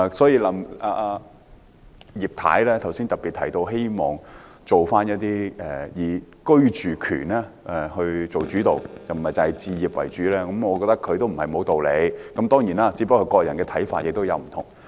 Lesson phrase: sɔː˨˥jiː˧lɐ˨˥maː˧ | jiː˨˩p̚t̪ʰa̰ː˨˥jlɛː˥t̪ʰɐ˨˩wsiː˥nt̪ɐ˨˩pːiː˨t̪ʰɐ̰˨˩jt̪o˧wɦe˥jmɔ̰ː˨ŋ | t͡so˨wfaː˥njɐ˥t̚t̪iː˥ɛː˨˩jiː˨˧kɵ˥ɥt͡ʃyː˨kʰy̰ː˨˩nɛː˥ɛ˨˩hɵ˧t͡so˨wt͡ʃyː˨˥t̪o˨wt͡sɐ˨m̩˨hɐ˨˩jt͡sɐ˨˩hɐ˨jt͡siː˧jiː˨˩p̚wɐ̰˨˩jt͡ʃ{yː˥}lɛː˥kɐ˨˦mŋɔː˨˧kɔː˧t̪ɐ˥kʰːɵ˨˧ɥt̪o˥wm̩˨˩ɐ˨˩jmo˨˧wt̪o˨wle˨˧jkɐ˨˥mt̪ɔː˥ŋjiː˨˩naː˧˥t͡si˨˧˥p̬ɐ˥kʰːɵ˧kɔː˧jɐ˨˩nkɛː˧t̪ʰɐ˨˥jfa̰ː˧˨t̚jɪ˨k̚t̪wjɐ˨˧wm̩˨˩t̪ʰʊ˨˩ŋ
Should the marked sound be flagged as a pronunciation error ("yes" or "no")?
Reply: yes